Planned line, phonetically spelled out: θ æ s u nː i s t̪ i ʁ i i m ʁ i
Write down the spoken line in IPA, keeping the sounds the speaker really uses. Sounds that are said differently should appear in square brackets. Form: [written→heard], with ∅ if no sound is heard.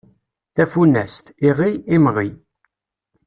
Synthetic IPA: θ æ [s→f] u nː [i→æ] s t̪ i ʁ i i m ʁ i